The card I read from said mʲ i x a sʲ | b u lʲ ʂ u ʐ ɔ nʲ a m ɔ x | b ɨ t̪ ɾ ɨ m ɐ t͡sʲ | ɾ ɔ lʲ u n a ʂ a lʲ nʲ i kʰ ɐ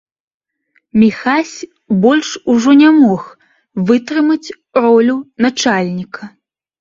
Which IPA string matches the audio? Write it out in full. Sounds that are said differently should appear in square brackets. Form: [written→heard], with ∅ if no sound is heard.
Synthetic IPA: mʲ i x a sʲ | b [u→ɔ] lʲ ʂ u ʐ ɔ nʲ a m ɔ x | [b→v] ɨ t̪ ɾ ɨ m ɐ t͡sʲ | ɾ ɔ lʲ u n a [ʂ→t͡ʂ] a lʲ nʲ i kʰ ɐ